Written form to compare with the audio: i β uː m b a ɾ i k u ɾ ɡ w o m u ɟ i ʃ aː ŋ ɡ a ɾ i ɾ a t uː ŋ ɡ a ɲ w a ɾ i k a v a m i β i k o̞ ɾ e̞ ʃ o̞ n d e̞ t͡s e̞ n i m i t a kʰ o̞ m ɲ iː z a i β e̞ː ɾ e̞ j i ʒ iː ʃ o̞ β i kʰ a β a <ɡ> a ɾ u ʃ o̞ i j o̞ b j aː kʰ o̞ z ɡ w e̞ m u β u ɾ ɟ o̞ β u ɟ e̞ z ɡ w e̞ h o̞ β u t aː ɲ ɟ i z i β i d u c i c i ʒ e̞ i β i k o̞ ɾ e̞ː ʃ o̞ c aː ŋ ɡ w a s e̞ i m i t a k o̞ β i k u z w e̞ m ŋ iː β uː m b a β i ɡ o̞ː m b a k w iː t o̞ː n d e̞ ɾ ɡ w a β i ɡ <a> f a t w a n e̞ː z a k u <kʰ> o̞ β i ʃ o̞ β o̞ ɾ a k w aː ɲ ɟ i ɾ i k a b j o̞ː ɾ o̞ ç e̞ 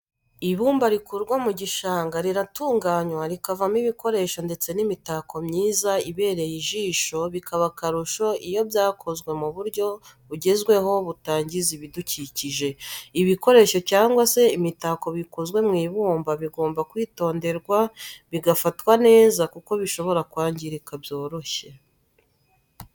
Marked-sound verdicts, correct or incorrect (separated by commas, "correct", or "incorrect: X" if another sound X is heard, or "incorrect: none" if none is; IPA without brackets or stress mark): incorrect: k, correct, incorrect: k